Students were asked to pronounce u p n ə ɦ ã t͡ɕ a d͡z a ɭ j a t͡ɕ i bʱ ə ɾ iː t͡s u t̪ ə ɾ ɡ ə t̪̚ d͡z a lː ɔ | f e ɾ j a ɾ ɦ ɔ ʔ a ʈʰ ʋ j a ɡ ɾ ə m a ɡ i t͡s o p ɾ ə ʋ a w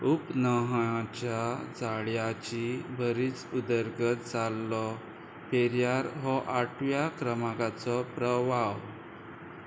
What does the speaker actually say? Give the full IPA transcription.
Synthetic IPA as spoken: u p n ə ɦ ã t͡ɕ a d͡z a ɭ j a t͡ɕ i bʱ ə ɾ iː t͡s u d̪ ə ɾ ɡ ə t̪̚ d͡z a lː ɔ | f e ɾ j a ɾ ɦ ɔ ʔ a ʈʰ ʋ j a k ɾ ə m a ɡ a t͡s ɔ p ɾ ə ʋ a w